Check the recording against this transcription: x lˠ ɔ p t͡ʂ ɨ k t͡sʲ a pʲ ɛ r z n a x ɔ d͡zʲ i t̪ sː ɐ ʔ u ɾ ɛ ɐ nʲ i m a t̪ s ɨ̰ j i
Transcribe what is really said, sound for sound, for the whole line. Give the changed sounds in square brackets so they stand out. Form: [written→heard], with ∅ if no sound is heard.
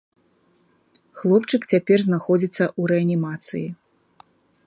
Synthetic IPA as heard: x lˠ ɔ p t͡ʂ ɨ k t͡sʲ a pʲ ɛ r z n a x ɔ d͡zʲ i t̪ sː ɐ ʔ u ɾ ɛ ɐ nʲ i m a t̪ s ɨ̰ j i